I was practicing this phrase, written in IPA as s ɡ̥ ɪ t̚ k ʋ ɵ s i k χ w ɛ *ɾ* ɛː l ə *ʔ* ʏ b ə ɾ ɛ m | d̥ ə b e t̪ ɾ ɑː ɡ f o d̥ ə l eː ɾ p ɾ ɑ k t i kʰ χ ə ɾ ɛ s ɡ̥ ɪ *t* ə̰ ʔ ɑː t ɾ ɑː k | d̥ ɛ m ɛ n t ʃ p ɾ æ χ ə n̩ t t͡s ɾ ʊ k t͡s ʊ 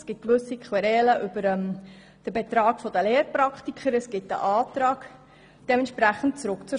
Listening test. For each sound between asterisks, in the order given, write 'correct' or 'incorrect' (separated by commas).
correct, correct, correct